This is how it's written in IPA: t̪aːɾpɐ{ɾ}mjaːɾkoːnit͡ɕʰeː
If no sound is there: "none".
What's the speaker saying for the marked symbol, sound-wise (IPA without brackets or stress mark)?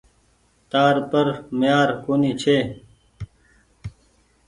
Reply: ɾ